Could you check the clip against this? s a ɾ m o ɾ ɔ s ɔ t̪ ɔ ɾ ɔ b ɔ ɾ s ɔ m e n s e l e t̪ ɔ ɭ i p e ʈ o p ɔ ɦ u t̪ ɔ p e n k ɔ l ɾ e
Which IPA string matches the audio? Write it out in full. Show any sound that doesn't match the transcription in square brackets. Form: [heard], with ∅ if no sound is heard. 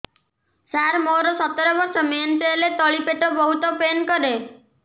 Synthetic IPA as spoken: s a ɾ m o ɾ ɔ s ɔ t̪ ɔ ɾ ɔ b ɔ ɾ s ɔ m e n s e l e t̪ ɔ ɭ i p e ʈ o [b] ɔ ɦ u t̪ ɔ p e n k ɔ [∅] ɾ e

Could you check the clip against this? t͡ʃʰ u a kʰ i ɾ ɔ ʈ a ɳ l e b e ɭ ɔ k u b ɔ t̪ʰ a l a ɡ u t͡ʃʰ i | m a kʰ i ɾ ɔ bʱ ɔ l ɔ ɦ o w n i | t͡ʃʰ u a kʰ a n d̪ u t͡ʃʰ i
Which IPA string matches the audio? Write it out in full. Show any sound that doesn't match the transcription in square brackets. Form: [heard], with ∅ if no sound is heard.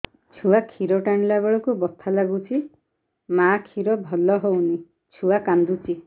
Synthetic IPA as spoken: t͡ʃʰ u a kʰ i ɾ ɔ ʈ a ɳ l [a] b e ɭ ɔ k u b ɔ t̪ʰ a l a ɡ u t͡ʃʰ i | m a kʰ i ɾ ɔ bʱ ɔ l ɔ ɦ o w n i | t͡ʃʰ u a [k] a n d̪ u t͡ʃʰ i

